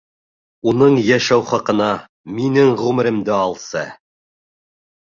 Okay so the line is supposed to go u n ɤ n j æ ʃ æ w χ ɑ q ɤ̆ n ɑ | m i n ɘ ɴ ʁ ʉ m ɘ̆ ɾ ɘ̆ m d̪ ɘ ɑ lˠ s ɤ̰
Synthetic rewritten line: u n ɤ ɴ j æ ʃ æ w χ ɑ q ɤ̆ n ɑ | m i n ɘ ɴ ʁ ʉ m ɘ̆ ɾ ɘ̆ m d̪ ɘ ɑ lˠ s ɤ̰